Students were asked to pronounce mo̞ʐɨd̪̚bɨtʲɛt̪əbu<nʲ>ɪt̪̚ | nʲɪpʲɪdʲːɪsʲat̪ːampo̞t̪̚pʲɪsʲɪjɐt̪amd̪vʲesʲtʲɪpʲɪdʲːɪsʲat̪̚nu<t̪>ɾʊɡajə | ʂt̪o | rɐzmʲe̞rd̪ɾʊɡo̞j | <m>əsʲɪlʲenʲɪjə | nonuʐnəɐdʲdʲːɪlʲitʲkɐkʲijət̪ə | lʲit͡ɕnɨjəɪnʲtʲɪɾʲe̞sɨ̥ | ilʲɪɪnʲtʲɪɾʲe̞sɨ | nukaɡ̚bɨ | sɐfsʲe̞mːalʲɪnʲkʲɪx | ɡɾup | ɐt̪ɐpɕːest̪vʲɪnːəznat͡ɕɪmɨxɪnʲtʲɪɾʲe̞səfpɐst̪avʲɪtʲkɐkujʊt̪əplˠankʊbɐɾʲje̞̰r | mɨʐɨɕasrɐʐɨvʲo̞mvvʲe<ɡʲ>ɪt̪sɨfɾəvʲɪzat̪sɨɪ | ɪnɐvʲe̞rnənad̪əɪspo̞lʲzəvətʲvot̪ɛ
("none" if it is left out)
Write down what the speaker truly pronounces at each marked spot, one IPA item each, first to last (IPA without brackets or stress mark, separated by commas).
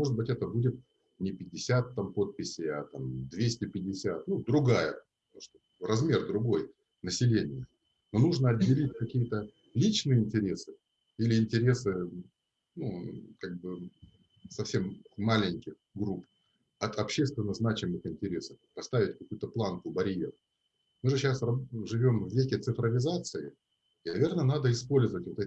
dʲ, d̪, n, kʲ